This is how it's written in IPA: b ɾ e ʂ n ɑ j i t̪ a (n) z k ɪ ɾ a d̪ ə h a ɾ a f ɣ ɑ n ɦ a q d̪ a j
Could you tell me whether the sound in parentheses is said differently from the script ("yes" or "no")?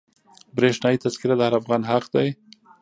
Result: yes